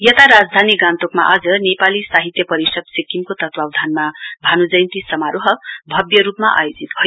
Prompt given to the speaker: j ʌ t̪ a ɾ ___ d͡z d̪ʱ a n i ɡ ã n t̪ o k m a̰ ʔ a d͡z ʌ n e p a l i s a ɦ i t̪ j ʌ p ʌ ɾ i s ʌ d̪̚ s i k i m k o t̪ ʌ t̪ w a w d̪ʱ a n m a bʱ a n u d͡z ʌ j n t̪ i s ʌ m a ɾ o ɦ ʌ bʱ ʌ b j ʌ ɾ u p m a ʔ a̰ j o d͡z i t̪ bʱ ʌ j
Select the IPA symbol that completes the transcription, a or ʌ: a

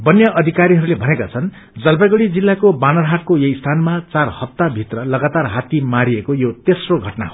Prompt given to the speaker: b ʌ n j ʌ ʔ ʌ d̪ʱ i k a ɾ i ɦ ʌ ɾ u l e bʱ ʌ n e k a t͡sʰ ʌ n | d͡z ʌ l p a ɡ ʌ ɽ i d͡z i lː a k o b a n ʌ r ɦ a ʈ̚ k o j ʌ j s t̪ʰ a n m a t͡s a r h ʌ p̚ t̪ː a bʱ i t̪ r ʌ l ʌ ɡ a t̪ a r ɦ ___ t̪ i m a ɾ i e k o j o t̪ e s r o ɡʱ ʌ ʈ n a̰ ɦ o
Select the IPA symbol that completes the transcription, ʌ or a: a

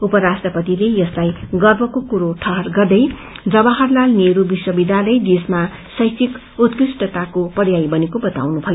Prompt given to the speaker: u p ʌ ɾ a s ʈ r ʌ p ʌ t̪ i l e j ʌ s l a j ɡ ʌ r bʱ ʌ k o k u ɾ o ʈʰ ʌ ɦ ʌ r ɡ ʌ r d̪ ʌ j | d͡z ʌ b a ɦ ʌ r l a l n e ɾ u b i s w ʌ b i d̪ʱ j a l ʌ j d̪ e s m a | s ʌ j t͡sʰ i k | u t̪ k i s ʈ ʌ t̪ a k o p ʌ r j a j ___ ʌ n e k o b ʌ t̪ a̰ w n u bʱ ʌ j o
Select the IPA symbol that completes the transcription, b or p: b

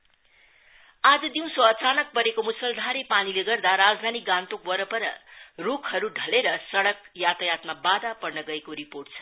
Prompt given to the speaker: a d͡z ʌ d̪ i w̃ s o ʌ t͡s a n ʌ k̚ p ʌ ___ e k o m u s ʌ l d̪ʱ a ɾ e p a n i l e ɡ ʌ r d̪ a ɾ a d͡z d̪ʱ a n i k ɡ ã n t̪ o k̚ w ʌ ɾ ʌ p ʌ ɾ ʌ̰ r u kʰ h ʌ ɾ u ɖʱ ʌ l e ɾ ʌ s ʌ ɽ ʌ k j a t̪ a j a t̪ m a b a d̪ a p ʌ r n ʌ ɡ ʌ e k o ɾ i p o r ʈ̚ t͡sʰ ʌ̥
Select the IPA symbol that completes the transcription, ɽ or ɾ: ɾ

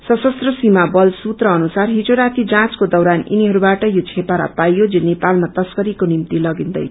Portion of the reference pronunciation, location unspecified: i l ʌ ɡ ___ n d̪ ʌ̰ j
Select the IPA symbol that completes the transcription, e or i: i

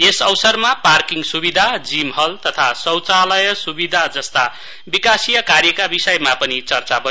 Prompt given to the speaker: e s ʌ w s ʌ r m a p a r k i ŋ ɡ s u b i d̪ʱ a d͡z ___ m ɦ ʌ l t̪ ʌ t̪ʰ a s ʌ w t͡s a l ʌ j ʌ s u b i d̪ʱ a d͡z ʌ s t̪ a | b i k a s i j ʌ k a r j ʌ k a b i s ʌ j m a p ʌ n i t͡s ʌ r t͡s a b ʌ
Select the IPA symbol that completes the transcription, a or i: i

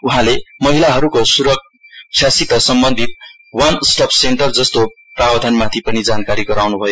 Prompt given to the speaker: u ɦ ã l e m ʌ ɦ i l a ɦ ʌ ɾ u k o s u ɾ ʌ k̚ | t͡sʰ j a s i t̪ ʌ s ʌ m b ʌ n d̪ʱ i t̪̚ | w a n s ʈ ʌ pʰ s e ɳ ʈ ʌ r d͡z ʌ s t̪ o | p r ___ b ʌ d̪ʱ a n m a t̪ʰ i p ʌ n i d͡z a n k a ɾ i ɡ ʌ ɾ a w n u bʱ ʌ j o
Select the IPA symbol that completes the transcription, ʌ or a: a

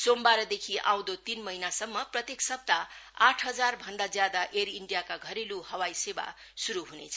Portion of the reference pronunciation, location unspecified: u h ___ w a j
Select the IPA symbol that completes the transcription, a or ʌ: ʌ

